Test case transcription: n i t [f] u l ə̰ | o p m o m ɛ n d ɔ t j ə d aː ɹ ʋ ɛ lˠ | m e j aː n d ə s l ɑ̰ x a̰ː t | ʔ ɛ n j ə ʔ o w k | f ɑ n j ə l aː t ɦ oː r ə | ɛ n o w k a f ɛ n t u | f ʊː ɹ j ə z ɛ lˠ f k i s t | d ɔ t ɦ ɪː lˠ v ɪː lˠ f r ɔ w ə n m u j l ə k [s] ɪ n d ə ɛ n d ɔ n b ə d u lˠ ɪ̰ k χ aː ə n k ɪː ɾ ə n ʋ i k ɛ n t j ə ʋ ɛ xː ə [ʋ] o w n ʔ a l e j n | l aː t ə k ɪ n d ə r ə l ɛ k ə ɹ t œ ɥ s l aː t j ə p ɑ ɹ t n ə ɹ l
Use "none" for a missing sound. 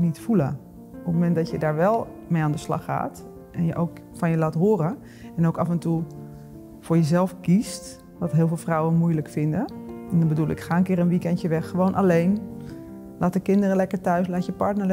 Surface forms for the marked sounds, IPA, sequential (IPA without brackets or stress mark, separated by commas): f, f, ʋ